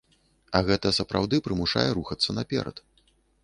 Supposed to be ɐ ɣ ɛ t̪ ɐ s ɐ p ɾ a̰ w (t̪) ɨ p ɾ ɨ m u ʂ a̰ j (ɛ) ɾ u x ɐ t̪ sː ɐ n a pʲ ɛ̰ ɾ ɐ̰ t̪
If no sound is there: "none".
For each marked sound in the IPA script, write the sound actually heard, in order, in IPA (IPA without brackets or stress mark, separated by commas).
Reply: d̪, ɛ